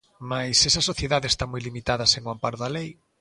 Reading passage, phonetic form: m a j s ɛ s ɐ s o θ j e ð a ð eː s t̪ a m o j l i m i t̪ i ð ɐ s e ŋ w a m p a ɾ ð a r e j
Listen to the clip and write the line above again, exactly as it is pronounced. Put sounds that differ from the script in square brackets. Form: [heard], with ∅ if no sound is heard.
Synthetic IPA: m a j s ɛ s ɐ s o θ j e ð a ð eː s t̪ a m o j l i m i t̪ [a] ð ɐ s e ŋ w a m p a ɾ ð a [l] e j